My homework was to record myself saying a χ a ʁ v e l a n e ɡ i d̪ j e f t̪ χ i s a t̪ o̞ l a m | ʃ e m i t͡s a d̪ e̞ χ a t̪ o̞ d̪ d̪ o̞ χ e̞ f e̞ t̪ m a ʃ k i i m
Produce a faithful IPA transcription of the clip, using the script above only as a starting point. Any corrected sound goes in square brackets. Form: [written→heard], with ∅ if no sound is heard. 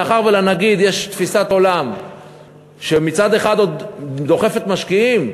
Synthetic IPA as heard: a χ a ʁ v e l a n [e→a] ɡ i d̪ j e [f→ʃ] t̪ [χ→f] i s a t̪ o̞ l a m | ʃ e m i t͡s a d̪ e̞ χ a [t̪→d̪] o̞ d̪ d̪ o̞ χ e̞ f e̞ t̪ m a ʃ k i i m